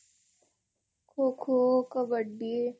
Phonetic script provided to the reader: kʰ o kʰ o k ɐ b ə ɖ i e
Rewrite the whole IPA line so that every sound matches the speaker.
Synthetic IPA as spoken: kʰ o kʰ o k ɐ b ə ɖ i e